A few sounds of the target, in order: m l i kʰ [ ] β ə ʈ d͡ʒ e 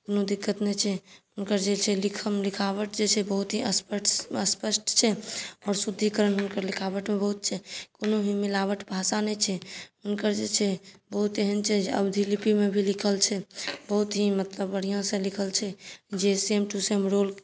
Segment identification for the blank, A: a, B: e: A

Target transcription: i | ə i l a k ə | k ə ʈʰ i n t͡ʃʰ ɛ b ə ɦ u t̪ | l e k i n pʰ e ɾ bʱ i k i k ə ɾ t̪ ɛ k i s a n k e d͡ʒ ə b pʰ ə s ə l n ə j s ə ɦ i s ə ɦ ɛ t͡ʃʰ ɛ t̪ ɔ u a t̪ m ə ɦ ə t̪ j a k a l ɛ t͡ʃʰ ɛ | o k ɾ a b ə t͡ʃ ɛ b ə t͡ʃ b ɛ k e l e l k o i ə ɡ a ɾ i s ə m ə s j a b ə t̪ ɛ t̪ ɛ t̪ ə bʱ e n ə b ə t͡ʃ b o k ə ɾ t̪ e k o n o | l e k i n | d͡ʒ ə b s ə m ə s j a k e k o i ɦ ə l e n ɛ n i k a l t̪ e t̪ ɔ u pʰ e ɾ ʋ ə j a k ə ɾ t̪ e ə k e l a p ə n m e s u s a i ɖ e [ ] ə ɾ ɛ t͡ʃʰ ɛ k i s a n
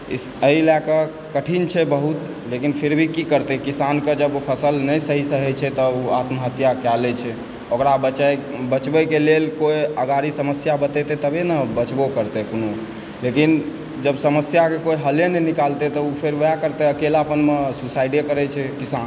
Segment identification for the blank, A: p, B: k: B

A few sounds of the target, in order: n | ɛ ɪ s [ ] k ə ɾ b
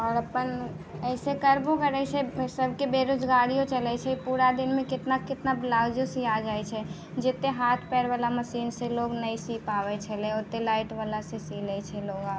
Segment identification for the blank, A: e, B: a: A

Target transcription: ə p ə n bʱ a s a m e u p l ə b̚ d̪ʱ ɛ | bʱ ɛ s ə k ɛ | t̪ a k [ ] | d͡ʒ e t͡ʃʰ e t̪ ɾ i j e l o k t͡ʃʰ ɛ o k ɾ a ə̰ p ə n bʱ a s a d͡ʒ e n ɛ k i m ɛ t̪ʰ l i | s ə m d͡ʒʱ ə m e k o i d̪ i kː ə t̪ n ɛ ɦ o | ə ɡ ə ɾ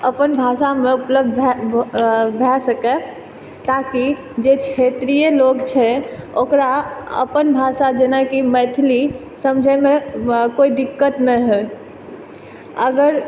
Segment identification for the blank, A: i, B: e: A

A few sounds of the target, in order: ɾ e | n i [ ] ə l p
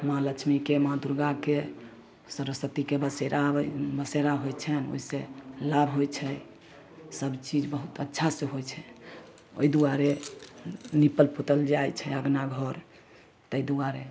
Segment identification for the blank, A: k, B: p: B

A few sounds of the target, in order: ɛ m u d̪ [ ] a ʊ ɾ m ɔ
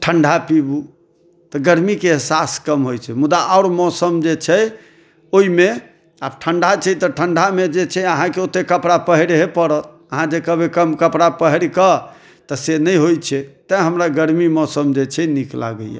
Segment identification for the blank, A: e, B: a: B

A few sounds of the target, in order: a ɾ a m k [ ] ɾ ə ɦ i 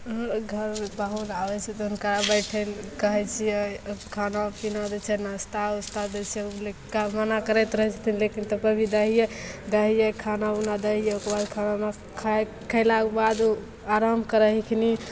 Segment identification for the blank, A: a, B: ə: B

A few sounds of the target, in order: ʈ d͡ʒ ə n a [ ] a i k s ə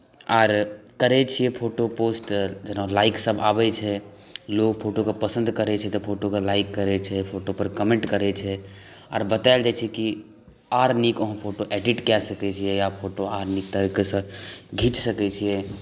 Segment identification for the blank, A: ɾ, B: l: B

